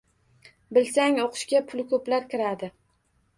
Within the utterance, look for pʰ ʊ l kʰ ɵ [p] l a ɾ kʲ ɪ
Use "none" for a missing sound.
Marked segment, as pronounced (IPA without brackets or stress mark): p